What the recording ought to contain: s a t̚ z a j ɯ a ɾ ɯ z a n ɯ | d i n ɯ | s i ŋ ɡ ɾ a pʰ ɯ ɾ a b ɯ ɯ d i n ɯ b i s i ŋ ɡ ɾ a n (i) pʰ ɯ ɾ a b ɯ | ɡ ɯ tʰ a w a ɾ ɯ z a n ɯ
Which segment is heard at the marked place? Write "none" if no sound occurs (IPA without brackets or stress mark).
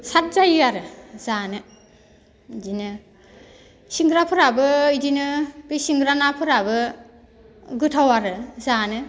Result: a